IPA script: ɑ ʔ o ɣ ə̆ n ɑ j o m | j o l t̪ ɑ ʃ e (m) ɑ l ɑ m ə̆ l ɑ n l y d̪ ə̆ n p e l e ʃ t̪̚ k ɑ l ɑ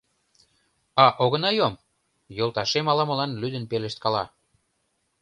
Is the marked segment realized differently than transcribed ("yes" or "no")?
no